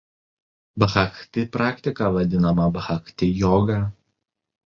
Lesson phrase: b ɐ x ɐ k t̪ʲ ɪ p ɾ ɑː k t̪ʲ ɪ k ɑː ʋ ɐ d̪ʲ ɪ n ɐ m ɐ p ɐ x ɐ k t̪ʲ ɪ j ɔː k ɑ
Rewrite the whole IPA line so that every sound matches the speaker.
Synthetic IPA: b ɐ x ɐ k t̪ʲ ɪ p ɾ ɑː k t̪ʲ ɪ k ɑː ʋ ɐ d̪ʲ ɪ n ɐ m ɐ b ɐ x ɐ k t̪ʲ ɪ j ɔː ɡ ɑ